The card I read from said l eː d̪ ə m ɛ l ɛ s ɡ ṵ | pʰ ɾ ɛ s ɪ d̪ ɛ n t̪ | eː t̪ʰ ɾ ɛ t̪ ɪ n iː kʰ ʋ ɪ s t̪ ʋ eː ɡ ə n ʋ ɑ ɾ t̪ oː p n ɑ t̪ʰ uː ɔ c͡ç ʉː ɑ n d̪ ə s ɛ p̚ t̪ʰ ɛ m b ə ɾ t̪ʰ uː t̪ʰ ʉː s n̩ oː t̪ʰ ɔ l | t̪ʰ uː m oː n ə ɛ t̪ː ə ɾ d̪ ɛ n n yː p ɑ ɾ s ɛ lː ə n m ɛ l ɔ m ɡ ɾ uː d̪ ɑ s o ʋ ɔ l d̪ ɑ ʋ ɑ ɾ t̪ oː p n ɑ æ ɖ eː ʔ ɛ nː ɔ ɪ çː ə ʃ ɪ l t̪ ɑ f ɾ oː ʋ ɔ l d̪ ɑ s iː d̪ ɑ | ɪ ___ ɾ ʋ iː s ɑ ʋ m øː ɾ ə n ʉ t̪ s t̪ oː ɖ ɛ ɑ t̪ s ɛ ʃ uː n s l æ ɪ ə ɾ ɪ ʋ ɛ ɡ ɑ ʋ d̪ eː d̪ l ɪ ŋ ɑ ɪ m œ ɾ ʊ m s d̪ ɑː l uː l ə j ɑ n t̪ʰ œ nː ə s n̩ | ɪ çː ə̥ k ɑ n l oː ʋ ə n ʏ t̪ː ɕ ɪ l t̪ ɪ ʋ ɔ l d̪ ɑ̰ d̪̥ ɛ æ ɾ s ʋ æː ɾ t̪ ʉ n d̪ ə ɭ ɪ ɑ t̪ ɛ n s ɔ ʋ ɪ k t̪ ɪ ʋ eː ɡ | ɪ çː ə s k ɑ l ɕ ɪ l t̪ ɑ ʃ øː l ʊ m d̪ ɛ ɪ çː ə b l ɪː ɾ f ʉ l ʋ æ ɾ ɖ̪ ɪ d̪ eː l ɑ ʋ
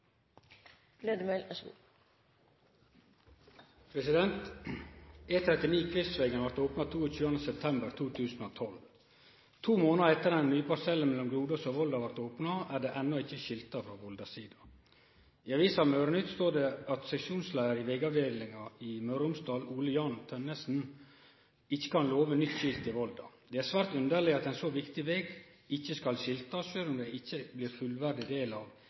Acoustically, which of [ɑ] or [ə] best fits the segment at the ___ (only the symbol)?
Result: ɑ